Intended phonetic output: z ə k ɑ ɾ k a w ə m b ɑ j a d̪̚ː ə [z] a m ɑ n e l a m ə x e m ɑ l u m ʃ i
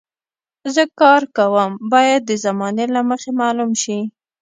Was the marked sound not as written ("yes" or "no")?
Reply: no